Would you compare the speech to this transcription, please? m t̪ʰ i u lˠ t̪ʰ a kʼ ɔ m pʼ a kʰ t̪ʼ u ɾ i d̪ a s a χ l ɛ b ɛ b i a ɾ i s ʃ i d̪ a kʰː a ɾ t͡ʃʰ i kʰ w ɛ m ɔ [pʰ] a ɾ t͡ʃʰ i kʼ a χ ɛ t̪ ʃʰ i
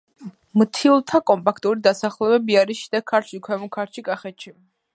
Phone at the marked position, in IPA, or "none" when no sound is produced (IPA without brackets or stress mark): kʰ